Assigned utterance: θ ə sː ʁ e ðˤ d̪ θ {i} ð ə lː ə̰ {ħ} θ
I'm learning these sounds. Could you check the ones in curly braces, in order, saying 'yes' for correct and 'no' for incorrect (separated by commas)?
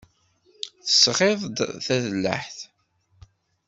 no, yes